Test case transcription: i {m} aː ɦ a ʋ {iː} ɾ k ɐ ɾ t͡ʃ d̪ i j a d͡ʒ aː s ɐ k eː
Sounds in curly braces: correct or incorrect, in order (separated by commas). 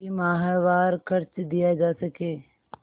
correct, incorrect